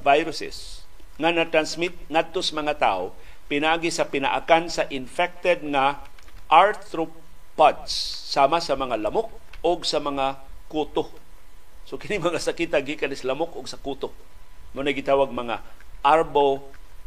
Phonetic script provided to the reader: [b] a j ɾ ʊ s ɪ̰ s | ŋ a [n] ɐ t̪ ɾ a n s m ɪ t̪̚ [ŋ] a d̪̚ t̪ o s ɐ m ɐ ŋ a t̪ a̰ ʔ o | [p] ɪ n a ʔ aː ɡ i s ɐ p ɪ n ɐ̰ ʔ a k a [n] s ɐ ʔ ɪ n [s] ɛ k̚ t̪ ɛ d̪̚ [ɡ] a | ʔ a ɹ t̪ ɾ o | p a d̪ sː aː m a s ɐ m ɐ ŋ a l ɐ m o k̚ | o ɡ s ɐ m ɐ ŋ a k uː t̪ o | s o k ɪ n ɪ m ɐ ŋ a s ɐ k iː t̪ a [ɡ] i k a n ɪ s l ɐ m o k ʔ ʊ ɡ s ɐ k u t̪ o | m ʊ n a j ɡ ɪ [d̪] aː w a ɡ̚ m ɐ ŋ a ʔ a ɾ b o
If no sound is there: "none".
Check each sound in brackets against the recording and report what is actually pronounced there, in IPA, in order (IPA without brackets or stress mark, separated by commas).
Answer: v, n, ŋ, p, n, f, ŋ, ɡ, t̪